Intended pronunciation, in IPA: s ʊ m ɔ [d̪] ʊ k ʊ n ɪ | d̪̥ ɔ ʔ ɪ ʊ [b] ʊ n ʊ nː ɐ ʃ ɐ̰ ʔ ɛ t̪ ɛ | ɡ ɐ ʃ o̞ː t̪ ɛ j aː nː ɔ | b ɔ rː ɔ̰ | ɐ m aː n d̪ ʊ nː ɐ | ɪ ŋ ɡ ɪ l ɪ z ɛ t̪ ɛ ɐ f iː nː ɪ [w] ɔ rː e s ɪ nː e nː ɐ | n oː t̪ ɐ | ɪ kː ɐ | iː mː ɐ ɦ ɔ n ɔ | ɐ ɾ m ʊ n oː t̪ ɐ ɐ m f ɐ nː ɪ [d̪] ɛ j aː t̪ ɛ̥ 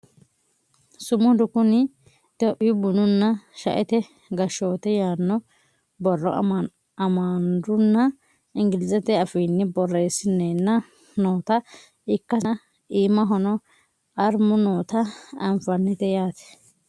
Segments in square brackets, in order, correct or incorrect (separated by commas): correct, correct, incorrect, incorrect